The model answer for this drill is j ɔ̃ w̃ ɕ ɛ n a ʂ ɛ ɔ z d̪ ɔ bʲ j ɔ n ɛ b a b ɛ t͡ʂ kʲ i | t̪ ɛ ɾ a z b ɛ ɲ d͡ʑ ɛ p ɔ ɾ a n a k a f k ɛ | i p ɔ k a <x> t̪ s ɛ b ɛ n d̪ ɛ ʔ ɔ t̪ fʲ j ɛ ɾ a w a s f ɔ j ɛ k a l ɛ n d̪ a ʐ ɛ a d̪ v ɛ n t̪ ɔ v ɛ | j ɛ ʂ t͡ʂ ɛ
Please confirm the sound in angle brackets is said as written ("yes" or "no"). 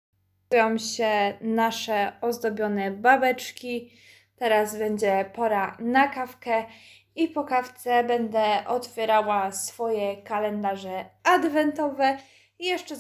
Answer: no